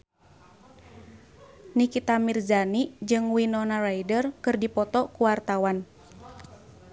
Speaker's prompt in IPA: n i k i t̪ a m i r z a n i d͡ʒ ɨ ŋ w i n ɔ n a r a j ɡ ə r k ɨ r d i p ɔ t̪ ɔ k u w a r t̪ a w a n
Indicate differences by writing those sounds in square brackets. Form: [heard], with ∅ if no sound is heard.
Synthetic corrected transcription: n i k i t̪ a m i r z a n i d͡ʒ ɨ ŋ w i n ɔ n a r a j [d] ə r k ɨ r d i p ɔ t̪ ɔ k u w a r t̪ a w a n